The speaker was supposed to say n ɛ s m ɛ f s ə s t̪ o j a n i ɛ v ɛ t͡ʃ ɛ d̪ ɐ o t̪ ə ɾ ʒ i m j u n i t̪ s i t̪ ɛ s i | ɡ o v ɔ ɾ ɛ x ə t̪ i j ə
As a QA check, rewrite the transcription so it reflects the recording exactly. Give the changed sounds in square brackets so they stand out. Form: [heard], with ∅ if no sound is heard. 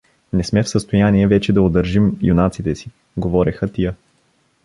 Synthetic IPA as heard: n ɛ s m ɛ f s ə s t̪ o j a n i ɛ v ɛ t͡ʃ ɛ d̪ ɐ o [d̪] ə ɾ ʒ i m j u n [a] t̪ s i t̪ ɛ s i | ɡ o v ɔ ɾ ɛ x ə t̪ i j ə